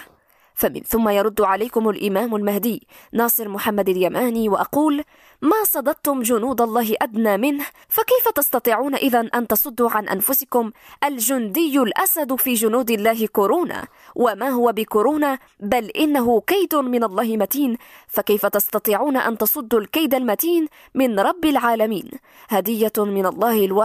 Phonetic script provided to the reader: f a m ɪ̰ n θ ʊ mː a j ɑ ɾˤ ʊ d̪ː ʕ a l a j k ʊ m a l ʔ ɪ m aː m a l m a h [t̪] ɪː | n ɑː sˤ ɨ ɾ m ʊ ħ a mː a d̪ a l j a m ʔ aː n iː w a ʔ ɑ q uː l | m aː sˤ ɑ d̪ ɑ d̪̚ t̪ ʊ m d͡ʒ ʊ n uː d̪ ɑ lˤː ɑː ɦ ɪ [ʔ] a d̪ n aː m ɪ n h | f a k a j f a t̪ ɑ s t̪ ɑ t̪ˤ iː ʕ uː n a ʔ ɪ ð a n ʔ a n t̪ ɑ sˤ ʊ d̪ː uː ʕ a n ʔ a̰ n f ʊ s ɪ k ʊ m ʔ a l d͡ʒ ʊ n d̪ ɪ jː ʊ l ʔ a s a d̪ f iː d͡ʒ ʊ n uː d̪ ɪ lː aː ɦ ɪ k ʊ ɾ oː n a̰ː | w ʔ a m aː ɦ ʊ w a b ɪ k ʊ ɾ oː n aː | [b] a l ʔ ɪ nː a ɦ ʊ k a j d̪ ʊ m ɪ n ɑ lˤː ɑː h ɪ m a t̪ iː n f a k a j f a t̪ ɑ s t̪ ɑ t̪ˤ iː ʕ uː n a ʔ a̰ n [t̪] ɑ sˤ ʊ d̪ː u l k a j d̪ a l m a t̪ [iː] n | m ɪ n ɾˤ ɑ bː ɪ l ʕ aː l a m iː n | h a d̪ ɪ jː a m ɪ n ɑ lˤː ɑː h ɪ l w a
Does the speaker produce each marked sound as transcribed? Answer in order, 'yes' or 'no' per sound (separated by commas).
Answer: no, yes, yes, yes, yes